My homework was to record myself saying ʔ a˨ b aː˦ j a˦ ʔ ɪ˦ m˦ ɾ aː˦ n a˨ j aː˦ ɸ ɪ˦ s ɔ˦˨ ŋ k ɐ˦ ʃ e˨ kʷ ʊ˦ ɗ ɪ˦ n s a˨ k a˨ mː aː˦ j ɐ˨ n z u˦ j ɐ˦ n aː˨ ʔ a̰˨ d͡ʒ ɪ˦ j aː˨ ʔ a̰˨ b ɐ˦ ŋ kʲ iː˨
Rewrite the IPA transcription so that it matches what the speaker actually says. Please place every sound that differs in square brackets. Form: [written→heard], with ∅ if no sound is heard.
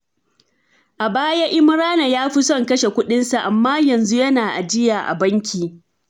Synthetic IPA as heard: ʔ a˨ b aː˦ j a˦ ʔ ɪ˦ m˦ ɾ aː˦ n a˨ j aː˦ ɸ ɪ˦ s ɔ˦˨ ŋ k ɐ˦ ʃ e˨ kʷ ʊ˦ ɗ ɪ˦ n s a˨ [k→ʔ] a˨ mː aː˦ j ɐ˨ n z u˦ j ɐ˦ n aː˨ ʔ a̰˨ d͡ʒ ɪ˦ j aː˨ ʔ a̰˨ b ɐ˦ ŋ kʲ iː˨